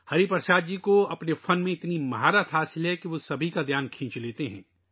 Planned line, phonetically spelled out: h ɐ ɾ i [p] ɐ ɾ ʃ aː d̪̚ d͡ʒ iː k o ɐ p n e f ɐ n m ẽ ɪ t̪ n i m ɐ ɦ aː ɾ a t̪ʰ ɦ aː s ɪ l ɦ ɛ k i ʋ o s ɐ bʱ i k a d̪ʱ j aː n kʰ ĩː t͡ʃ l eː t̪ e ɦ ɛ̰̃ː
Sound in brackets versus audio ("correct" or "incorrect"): correct